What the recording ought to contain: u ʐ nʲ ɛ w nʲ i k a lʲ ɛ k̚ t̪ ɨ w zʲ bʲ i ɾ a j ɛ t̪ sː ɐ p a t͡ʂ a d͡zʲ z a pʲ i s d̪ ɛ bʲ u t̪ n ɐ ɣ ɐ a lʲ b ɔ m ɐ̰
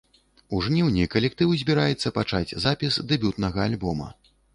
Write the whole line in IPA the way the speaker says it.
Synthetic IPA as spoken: u ʐ nʲ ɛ w nʲ i k ɐ lʲ ɛ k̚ t̪ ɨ w zʲ bʲ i ɾ a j ɛ t̪ sː ɐ p a t͡ʂ a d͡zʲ z a pʲ i s d̪ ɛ bʲ u t̪ n ɐ ɣ ɐ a lʲ b ɔ m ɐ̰